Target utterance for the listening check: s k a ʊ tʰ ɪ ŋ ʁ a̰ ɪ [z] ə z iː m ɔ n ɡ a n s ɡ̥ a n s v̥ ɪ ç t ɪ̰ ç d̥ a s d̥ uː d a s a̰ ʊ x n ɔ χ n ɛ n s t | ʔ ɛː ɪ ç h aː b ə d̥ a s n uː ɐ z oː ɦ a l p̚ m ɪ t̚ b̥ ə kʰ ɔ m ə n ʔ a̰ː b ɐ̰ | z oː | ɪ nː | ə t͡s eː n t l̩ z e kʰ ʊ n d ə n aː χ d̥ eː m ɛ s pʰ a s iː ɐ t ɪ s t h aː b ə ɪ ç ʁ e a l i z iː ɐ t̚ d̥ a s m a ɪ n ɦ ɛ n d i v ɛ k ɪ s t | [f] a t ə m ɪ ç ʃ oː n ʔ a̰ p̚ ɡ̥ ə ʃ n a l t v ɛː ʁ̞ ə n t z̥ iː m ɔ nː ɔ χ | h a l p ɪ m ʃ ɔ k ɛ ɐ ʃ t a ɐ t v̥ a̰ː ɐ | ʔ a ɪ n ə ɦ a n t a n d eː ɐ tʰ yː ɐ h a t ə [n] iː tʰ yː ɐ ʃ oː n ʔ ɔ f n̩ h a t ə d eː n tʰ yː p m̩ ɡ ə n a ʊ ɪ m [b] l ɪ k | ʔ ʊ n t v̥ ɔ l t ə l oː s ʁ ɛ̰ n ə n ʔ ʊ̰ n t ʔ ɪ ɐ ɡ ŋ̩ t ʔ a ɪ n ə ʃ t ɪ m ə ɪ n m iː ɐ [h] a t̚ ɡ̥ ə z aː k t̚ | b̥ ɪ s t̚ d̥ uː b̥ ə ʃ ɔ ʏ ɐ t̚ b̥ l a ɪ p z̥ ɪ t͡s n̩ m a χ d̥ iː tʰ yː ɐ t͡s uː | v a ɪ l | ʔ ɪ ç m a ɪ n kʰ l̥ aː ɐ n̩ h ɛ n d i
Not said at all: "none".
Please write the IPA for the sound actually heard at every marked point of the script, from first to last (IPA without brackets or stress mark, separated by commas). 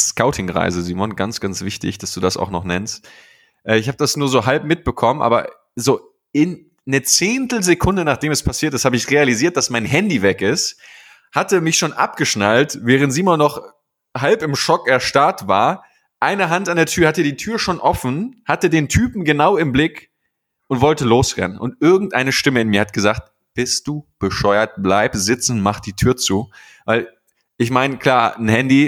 z, h, d, b, h